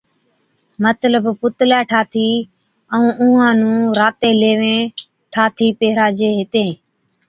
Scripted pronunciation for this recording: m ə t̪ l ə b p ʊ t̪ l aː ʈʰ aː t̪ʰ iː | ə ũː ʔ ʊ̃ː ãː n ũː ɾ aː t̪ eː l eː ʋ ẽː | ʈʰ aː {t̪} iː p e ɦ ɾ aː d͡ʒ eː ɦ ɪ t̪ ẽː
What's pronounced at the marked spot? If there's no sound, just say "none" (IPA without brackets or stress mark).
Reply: t̪ʰ